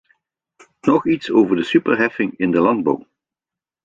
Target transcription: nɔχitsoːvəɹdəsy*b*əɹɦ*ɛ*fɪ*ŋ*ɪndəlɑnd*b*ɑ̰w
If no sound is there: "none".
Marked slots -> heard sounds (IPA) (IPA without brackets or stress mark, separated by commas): p, ɛ, ŋ, b